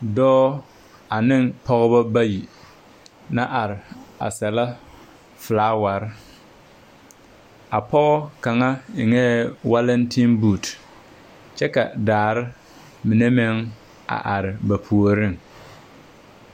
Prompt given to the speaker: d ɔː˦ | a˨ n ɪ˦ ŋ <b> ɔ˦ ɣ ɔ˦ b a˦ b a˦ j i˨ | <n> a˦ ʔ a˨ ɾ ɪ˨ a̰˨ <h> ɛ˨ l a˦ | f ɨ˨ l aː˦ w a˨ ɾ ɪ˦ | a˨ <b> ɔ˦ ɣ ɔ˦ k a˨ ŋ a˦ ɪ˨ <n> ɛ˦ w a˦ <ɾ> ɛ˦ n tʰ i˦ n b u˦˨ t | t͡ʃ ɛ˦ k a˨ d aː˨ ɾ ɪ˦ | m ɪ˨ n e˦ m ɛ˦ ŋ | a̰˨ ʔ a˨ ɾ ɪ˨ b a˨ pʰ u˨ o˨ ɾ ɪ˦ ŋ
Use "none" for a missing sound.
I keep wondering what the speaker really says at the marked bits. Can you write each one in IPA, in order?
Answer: p, n, s, p, ŋ, l

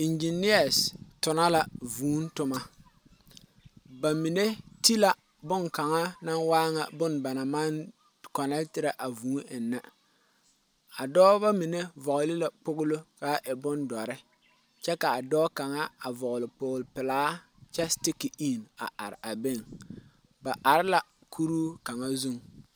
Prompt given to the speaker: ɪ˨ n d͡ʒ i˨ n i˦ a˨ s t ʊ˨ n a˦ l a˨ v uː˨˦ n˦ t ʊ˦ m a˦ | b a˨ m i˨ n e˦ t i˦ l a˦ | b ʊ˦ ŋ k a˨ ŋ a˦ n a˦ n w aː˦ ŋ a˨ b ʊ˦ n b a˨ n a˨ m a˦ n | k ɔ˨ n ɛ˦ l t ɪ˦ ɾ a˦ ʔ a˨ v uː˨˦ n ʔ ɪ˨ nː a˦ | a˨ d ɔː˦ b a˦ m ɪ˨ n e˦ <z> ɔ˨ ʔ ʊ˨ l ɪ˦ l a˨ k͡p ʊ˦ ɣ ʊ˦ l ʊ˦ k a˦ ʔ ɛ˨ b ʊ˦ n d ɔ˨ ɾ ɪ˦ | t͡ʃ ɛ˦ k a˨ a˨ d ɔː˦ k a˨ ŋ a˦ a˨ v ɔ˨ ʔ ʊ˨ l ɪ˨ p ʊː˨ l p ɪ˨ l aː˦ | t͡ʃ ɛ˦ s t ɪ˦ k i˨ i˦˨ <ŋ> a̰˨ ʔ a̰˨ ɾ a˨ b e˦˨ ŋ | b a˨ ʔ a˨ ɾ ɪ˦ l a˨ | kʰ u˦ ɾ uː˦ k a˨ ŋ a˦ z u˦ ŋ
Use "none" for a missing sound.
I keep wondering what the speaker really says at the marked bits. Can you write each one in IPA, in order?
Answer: v, n

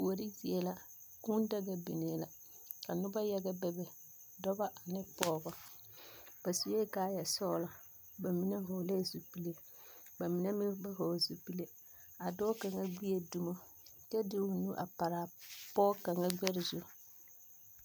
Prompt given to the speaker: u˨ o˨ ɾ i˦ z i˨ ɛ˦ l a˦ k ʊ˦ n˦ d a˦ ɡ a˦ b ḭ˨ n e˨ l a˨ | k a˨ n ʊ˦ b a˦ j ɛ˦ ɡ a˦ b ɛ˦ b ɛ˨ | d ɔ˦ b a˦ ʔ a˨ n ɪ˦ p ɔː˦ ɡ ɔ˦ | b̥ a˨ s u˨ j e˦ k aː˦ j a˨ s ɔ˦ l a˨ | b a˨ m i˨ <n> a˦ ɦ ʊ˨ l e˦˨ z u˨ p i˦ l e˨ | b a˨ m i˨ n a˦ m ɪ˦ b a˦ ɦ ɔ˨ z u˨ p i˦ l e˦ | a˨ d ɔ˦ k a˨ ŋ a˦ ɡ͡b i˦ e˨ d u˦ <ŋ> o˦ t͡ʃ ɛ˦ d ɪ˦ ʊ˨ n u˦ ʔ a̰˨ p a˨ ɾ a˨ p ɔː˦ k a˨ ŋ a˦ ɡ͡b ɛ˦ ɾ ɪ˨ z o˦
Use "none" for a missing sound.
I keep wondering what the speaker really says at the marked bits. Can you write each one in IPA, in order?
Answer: n, m

